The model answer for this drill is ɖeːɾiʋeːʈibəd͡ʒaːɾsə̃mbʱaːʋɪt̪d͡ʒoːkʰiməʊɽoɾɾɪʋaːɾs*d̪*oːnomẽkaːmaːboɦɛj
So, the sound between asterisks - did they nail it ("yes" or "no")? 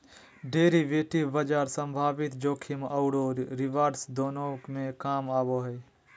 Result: yes